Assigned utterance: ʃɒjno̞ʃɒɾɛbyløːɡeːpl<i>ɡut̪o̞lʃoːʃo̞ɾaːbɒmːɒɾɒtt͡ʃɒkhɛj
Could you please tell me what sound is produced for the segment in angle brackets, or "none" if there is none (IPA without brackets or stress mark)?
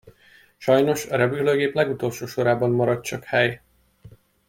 ɛ